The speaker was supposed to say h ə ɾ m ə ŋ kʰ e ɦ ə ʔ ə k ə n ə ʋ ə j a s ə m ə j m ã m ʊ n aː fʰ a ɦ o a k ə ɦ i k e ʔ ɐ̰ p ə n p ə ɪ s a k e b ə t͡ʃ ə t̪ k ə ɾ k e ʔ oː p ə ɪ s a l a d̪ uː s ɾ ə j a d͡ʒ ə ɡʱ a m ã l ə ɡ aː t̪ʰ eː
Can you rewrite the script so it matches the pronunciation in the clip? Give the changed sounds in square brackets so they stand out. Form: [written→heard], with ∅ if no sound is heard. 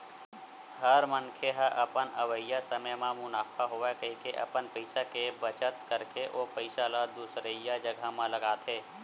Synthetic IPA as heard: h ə ɾ m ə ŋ kʰ e ɦ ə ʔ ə [k→p] ə n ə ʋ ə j a s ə m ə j m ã m ʊ n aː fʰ a ɦ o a k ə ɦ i k e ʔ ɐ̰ p ə n p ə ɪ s a k e b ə t͡ʃ ə t̪ k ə ɾ k e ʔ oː p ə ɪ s a l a d̪ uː s ɾ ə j a d͡ʒ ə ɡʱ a m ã l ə ɡ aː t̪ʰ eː